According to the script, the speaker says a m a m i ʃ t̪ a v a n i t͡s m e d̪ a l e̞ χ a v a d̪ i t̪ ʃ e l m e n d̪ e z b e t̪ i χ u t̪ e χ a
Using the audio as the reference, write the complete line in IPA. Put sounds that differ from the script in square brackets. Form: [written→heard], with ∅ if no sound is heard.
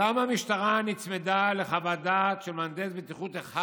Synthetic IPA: a m a m i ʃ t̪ a [v→ʁ] a n i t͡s m e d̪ a l e̞ χ a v a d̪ [i→a] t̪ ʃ e l m [e→a] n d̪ e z b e t̪ i χ u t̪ e χ a

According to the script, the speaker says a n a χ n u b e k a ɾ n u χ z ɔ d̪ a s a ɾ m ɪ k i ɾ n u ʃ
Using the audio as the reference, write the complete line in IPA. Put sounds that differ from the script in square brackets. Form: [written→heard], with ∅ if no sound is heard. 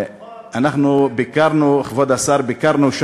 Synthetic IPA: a n a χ n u b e k a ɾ n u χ [z→v] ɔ d̪ a s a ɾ [m→b] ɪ k [i→a] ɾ n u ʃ

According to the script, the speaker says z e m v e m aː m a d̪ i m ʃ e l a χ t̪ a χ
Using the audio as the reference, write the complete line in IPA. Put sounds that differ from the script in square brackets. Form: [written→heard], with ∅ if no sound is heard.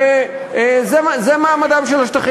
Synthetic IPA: z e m [v→z] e m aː m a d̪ [i→a] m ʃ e l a [χ→ʃ] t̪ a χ

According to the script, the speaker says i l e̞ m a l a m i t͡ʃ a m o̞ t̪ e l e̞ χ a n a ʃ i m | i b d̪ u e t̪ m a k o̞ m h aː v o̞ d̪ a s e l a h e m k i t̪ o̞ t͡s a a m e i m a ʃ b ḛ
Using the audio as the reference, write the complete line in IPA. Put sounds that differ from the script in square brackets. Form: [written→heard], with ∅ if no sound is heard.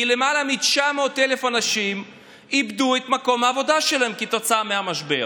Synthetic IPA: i l e̞ m a l a m i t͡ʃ a m o̞ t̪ e l e̞ [χ→f] a n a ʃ i m | i b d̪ u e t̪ m a k o̞ m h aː v o̞ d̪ a [s→ʃ] e l a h e m k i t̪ o̞ t͡s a a m e [i→a] m a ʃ b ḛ

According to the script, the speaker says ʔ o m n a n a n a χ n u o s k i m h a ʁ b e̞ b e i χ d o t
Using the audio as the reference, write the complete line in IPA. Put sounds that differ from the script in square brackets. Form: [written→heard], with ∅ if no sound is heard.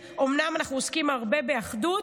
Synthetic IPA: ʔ o m n a [n→m] a n a χ n u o s k i m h a ʁ b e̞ b e [i→a] χ d [o→u] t

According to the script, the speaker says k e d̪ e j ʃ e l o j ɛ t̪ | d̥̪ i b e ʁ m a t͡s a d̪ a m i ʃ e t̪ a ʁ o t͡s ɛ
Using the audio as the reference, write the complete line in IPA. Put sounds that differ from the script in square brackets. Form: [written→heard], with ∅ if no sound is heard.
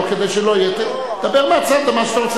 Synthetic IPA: k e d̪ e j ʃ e l o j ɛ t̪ | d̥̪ [i→a] b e ʁ m a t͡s a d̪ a m [i→a] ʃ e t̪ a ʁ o t͡s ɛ

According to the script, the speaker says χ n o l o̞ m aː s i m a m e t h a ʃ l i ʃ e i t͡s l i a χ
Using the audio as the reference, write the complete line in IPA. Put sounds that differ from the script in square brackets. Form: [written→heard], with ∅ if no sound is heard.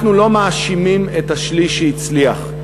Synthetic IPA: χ n [o→u] l o̞ m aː [s→ʃ] i m [a→i] m e t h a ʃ l i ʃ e i t͡s l i a χ

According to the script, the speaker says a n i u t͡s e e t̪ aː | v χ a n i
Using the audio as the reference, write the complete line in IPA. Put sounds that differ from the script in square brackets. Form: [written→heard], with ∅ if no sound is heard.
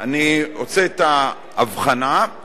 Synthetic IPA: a n i [u→o] t͡s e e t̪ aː | v χ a n [i→a]

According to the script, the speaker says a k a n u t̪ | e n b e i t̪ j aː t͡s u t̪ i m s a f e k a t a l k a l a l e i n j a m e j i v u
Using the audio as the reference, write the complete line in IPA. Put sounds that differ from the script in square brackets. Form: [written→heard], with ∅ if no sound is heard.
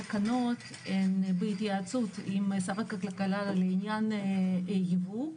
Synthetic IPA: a k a n [u→o] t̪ | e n b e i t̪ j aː t͡s u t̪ i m s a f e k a [t→k] a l k a l a l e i n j a [m→n] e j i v u

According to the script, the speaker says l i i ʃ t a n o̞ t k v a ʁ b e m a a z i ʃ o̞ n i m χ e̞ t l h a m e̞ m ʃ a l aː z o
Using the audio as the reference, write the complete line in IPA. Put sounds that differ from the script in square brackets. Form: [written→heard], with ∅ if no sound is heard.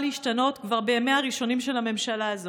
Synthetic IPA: l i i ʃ t a n o̞ t k v a ʁ b e m [a→e] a [z→ʁ] i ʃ o̞ n i m [χ→ʃ] e̞ [t→∅] l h a m e̞ m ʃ a l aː z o

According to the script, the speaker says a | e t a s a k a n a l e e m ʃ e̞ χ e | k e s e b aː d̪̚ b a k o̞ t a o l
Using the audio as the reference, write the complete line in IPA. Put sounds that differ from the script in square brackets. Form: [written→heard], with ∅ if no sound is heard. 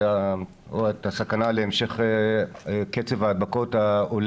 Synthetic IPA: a | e t a s a k a n a l e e m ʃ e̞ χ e | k e [s→t͡s] e [b→v] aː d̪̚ b a k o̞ t a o l

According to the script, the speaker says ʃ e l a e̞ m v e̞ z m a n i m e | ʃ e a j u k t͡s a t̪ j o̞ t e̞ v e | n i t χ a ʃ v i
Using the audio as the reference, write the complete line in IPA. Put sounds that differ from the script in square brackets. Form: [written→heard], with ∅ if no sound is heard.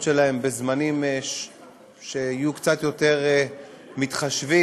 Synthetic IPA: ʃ e l a e̞ m [v→b] e̞ z m a n i m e | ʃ e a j u k t͡s a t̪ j o̞ t e̞ [v→ʁ] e | [n→m] i t χ a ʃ v i

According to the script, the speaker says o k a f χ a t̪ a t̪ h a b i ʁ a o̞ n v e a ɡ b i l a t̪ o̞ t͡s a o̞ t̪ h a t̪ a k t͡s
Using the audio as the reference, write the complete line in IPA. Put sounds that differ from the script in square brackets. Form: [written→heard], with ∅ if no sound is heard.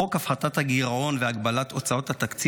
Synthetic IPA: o k a f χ a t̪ a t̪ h a [b→ɡ] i ʁ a o̞ n v e a ɡ b [i→a] l a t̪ o̞ t͡s a o̞ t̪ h a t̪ a k t͡s

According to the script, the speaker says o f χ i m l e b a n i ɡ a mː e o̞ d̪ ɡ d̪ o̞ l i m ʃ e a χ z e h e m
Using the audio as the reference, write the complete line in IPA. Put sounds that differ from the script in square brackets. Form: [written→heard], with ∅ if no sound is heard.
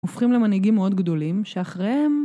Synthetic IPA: o f χ i m l e [b→m] a n i ɡ [a→i] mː e o̞ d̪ ɡ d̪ o̞ l i m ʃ e a χ [z→ʁ] e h e m

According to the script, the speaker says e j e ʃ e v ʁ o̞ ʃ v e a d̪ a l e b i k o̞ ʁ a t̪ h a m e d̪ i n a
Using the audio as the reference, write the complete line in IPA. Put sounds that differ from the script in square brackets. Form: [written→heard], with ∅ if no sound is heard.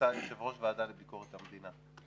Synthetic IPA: [e→a] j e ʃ e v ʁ o̞ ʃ v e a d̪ a l e b i k o̞ ʁ [a→e] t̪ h a m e d̪ i n a

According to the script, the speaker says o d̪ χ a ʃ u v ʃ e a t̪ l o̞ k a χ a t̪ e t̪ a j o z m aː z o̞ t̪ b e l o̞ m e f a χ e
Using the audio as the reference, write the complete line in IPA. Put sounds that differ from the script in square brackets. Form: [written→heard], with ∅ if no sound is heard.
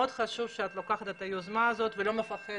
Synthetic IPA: o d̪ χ a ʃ u v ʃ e a t̪ l o̞ k a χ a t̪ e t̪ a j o z m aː z o̞ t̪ [b→v] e l o̞ m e f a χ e

